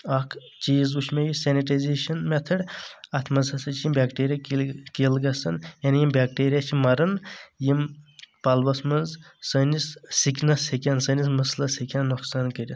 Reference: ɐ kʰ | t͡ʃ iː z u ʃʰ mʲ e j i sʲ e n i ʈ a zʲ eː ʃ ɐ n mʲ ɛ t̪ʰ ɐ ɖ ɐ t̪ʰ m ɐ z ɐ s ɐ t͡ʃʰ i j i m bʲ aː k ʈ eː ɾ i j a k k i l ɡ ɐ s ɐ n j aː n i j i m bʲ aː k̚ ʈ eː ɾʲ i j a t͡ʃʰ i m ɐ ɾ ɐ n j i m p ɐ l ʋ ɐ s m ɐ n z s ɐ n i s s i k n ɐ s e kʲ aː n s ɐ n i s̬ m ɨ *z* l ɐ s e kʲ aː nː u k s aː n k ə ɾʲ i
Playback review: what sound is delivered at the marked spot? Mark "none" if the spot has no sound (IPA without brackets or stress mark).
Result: s